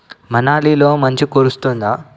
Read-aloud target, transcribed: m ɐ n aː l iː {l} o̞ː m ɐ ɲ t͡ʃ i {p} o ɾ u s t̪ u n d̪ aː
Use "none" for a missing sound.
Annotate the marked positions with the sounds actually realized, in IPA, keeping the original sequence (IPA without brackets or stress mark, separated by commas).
l, k